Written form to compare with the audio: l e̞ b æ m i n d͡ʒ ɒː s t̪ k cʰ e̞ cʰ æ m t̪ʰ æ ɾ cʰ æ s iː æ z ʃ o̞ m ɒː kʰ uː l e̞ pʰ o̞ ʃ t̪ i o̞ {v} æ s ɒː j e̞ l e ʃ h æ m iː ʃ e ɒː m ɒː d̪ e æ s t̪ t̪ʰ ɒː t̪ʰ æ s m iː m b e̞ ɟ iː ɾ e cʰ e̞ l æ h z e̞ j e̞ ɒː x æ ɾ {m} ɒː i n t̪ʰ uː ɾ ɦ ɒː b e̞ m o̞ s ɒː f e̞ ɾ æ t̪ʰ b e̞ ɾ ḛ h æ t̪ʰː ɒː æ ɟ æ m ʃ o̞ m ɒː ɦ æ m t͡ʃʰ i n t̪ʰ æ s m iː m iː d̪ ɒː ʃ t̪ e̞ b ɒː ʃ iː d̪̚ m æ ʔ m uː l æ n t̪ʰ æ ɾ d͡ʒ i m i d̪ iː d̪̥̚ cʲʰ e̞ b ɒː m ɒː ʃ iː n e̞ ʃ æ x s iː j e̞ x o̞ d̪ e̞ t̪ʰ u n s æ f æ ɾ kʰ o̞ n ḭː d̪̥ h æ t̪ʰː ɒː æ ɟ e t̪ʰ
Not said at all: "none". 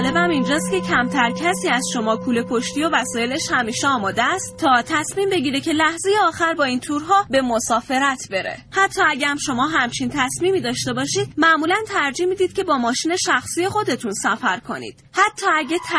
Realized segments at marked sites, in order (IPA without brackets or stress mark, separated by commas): v, b